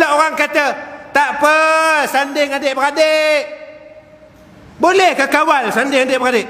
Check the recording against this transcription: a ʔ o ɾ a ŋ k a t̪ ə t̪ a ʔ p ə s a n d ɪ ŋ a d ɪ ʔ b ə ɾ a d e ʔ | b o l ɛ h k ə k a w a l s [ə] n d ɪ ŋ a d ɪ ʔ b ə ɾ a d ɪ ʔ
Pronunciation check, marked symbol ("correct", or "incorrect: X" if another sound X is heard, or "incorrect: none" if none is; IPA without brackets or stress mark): incorrect: a